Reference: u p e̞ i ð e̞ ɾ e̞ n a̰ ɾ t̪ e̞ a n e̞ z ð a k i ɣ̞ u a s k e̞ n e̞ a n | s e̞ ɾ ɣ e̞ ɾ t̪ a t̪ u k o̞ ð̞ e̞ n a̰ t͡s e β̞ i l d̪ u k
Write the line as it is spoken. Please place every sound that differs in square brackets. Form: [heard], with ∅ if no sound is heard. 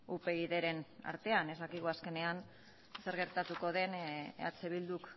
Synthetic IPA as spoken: u p e̞ i ð e̞ ɾ e̞ n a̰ ɾ t̪ e̞ a n e̞ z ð a k i ɣ̞ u a s k e̞ n e̞ a n | s e̞ ɾ ɣ e̞ ɾ t̪ a t̪ u k o̞ ð̞ e̞ n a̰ t͡s e β̞ i l d̪ u k